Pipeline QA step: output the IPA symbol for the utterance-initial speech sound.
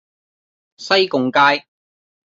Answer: s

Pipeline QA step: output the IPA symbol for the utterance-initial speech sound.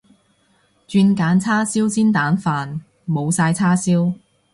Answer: t͡ʃ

